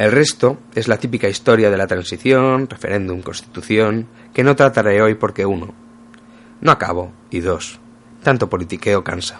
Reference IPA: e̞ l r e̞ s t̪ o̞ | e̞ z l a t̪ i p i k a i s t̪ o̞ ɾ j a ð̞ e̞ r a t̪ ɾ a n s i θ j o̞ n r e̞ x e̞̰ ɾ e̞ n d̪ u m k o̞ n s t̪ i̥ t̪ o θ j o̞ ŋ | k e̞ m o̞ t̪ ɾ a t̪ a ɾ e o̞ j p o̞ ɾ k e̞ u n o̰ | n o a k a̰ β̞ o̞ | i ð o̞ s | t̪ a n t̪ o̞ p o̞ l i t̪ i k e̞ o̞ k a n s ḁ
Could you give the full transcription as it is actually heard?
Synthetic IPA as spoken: e̞ l r e̞ s t̪ o̞ | e̞ z l a t̪ i p i k a i s t̪ o̞ ɾ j a ð̞ e̞ l a t̪ ɾ a n s i θ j o̞ n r e̞ f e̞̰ ɾ e̞ n d̪ u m k o̞ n s t̪ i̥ t̪ u θ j o̞ ŋ | k e̞ n o̞ t̪ ɾ a t̪ a ɾ e o̞ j p o̞ ɾ k e̞ u n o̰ | n o a k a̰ β̞ o̞ | i ð o̞ s | t̪ a n t̪ o̞ p o̞ l i t̪ i k e̞ o̞ k a n s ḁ